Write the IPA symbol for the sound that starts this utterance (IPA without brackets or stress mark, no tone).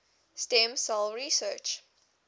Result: s